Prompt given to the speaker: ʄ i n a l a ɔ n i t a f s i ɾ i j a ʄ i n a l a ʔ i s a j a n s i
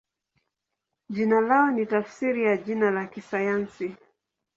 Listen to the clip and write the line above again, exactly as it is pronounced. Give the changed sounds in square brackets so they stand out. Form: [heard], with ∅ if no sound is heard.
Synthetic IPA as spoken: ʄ i n a l a ɔ n i t a f s i ɾ i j a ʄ i n a l a [k] i s a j a n s i

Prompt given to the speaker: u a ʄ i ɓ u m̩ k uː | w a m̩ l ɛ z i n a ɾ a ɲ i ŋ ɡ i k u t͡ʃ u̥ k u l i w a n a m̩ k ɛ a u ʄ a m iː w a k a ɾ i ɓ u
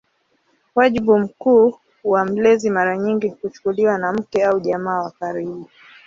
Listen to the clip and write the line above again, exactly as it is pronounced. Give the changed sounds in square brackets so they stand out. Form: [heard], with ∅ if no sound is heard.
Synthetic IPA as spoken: [w] a ʄ i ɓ u m̩ k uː | w a m̩ l ɛ z i [m] a ɾ a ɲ i ŋ ɡ i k u t͡ʃ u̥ k u l i w a n a m̩ k ɛ a u ʄ a m [aː] w a k a ɾ i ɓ u

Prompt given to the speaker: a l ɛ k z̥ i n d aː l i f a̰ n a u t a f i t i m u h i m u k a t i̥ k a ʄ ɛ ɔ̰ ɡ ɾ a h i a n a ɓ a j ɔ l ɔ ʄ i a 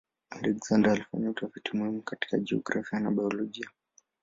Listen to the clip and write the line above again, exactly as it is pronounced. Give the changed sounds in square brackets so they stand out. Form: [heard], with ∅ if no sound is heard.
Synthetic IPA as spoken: a l ɛ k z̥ [a] n d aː l i f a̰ [ɲ] a u t a f i t i m u h i m u k a t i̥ k a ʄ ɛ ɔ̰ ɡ ɾ a [f] i a n a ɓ a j ɔ l ɔ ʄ i a

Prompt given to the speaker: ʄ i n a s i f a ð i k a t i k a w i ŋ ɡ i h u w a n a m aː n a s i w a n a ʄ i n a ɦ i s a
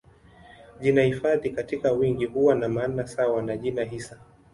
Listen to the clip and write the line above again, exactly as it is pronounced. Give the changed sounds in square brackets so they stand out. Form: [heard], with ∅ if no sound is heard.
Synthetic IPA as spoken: ʄ i n a [h] i f a ð i k a t i k a w i ŋ ɡ i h u w a n a m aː n a s [a] w a n a ʄ i n a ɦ i s a

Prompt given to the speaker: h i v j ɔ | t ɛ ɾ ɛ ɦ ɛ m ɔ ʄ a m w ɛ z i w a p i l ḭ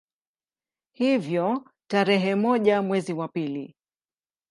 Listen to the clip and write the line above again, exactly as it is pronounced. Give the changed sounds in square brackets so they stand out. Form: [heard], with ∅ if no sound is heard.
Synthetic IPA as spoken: h i v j ɔ | t [a] ɾ ɛ ɦ ɛ m ɔ ʄ a m w ɛ z i w a p i l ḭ

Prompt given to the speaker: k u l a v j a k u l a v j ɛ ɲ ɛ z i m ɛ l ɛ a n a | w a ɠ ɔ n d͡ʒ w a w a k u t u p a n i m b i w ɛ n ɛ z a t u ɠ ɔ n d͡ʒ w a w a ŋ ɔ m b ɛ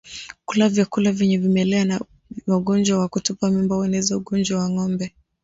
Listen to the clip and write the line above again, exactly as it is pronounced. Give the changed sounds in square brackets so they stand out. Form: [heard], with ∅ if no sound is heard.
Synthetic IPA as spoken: k u l a v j a k u l a v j ɛ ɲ ɛ [v] i m ɛ l ɛ a n a | w a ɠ ɔ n d͡ʒ w a w a k u t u p a [m] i m b [a] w ɛ n ɛ z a [∅] u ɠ ɔ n d͡ʒ w a w a ŋ ɔ m b ɛ

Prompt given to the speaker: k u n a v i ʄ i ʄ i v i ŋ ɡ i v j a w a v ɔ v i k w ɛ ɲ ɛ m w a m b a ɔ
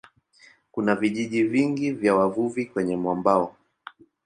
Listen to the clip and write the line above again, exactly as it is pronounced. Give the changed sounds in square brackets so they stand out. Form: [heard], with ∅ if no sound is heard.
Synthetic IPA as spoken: k u n a v i ʄ i ʄ i v i ŋ ɡ i v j a w a v [u] v i k w ɛ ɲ ɛ m w a m b a ɔ

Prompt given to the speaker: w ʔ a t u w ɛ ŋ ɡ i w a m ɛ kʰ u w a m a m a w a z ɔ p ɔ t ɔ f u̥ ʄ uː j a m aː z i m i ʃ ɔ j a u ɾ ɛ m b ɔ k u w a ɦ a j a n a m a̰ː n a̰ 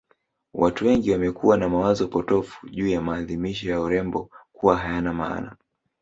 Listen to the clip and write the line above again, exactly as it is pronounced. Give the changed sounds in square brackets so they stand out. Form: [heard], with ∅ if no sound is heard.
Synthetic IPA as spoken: w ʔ a t u w ɛ ŋ ɡ i w a m ɛ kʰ u w a [n] a m a w a z ɔ p ɔ t ɔ f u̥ ʄ uː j a m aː [ð] i m i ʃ ɔ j a u ɾ ɛ m b ɔ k u w a ɦ a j a n a m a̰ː n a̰

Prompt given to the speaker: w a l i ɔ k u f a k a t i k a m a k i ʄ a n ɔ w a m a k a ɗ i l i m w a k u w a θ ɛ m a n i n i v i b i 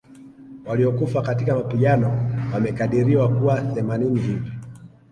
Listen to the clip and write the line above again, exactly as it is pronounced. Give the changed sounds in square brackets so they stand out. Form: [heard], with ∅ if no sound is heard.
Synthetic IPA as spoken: w a l i ɔ k u f a k a t i k a m a [p] i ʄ a n ɔ w a m [ɛ] k a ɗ i [ɾ] i [∅] w a k u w a θ ɛ m a n i n i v i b i

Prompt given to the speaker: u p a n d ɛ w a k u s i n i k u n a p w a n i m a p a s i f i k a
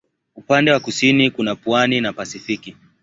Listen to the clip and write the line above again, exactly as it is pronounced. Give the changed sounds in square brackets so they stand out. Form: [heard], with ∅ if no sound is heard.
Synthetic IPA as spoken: u p a n d ɛ w a k u s i n i k u n a p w a n i [n] a p a s i f i k [i]

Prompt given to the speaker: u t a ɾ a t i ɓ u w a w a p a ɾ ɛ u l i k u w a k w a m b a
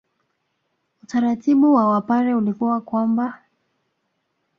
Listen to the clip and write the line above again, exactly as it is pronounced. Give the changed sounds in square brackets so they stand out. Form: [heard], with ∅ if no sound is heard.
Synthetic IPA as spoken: u t a ɾ a t i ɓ u w a w a p a ɾ ɛ u l i k u w a k w a m b a

